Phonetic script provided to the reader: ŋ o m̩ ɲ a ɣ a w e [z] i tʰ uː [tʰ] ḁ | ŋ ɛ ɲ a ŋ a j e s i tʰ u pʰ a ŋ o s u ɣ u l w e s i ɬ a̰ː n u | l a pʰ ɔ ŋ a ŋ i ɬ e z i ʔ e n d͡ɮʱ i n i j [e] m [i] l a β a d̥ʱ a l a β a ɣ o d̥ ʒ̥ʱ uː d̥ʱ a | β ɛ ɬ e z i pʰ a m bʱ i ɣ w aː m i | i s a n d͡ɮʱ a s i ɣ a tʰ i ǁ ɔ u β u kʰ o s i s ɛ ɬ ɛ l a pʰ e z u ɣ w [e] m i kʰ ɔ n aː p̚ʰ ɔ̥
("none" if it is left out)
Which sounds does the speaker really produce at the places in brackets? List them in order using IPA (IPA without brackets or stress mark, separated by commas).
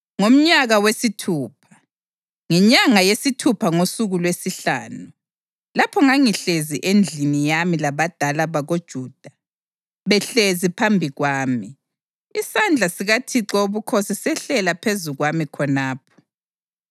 s, pʰ, a, i, a